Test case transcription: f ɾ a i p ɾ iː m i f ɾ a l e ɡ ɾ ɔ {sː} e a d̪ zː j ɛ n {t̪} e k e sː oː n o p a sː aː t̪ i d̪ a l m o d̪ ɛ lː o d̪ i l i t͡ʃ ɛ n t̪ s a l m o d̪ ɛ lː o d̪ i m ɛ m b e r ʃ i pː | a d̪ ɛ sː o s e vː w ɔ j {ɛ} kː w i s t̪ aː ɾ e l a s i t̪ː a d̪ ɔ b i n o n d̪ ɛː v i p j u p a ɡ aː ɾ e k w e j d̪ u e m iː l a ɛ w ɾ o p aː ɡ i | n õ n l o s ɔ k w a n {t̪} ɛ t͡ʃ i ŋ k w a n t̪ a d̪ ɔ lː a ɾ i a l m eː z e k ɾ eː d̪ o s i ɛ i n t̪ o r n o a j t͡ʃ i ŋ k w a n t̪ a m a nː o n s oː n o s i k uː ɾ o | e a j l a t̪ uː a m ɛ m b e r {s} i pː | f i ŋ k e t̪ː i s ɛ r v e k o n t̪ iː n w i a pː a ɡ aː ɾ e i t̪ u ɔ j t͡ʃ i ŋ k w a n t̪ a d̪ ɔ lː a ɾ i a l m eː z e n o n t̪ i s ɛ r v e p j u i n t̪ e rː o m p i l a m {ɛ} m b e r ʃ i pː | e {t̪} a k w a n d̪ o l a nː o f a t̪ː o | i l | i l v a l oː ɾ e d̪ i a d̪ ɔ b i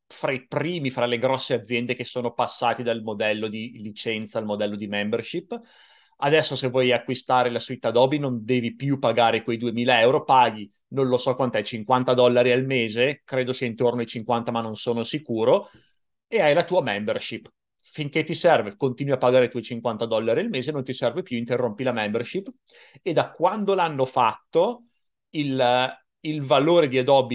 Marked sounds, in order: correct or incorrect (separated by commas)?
correct, incorrect, incorrect, correct, incorrect, correct, incorrect